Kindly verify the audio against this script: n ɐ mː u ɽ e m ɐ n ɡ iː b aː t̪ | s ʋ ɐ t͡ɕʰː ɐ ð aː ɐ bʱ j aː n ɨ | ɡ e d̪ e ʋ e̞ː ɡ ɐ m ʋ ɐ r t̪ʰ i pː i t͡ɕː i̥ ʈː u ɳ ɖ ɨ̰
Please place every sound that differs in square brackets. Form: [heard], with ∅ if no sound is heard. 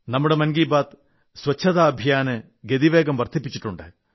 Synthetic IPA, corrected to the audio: n ɐ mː u ɽ e m ɐ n ɡ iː b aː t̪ | s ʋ ɐ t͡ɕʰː ɐ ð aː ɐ bʱ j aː n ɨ | ɡ e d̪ [i] ʋ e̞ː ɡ ɐ m ʋ ɐ r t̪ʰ i pː i t͡ɕː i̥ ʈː u ɳ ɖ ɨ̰